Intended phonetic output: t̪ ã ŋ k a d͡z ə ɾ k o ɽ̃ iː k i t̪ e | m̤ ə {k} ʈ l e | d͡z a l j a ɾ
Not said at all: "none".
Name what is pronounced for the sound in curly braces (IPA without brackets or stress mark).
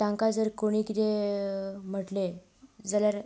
none